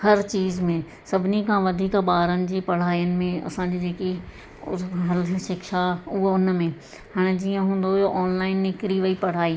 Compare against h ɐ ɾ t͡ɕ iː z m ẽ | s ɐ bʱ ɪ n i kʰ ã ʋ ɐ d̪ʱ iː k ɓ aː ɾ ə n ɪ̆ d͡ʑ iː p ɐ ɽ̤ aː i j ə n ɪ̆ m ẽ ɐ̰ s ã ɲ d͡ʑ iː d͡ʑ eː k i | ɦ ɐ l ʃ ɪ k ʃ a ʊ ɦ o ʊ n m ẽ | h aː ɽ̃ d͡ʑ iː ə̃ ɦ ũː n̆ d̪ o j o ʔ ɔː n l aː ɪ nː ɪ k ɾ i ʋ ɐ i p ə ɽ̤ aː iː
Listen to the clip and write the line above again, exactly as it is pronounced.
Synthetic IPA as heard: h ɐ ɾ t͡ɕ iː z m ẽ | s ɐ bʱ ɪ n i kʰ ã ʋ ɐ d̪ʱ iː k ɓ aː ɾ ə n ɪ̆ d͡ʑ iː p ɐ ɽ̤ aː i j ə n ɪ̆ m ẽ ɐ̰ s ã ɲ d͡ʑ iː d͡ʑ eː k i | ɦ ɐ l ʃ ɪ k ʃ a ʊ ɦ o ʊ n m ẽ | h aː ɽ̃ d͡ʑ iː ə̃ ɦ ũː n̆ d̪ o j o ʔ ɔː n l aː ɪ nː ɪ k ɾ i ʋ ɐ i p ɐ ɽ̤ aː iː